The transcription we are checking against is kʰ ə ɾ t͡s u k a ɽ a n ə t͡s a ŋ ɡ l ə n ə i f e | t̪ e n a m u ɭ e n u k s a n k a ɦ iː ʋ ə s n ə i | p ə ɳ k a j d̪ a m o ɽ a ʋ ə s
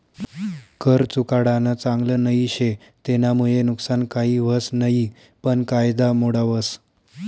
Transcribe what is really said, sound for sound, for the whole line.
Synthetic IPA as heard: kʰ ə ɾ t͡s u k a ɽ a n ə t͡s a ŋ ɡ l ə n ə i ɕ e | t̪ e n a m u ɭ e n u k s a n k a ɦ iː ʋ ə s n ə i | p ə ɳ k a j d̪ a m o ɽ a ʋ ə s